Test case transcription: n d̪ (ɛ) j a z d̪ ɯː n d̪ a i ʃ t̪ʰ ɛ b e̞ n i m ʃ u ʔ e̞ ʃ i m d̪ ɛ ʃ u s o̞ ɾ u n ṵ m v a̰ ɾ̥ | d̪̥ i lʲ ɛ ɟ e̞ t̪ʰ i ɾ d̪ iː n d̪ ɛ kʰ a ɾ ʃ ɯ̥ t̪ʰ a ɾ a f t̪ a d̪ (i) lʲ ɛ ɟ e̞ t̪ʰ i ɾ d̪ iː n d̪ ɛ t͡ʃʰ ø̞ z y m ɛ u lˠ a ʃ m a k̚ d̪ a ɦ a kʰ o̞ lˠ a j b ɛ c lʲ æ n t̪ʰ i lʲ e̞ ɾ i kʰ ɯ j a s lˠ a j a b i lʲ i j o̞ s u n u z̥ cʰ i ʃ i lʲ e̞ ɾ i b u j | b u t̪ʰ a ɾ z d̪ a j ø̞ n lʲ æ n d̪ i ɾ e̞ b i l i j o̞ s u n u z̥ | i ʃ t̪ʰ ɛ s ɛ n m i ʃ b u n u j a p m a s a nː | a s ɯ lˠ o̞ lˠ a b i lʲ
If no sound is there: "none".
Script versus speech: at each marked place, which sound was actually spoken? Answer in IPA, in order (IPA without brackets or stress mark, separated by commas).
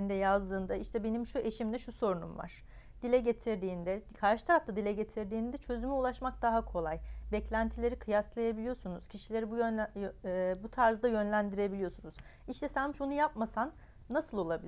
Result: ɛ, i